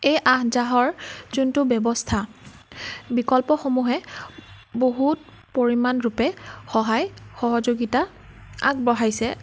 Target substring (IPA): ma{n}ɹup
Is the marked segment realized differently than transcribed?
no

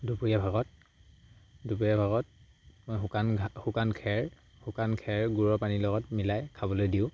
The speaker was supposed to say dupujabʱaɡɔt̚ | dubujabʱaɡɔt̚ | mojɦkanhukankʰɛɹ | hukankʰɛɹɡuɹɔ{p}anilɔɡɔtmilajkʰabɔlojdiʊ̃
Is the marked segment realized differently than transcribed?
no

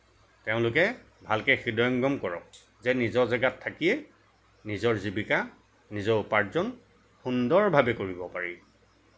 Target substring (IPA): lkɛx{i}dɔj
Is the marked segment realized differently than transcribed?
no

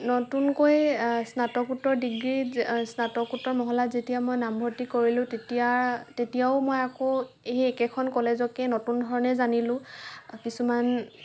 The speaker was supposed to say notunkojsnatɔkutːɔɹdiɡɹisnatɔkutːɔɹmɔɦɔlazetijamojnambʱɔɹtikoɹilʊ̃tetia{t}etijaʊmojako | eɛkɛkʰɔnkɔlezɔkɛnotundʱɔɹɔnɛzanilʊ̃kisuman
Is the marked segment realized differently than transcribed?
no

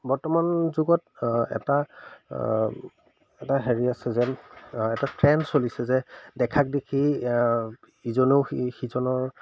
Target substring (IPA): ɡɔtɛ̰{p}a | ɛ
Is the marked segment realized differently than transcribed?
yes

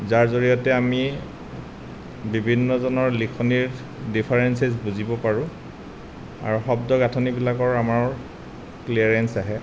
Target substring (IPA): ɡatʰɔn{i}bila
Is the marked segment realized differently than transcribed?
no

